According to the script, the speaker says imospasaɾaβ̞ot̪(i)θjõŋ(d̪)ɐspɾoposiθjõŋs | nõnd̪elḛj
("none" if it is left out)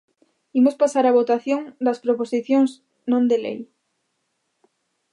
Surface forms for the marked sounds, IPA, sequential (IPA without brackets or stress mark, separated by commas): a, d̪